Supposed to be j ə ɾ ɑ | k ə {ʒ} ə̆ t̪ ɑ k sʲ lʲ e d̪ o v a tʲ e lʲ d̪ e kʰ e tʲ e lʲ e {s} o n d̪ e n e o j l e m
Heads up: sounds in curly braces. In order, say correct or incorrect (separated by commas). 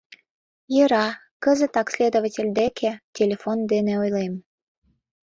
incorrect, incorrect